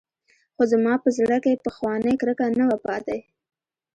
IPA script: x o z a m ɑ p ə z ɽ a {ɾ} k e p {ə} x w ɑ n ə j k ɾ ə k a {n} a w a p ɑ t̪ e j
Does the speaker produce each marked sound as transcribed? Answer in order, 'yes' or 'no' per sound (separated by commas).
no, yes, yes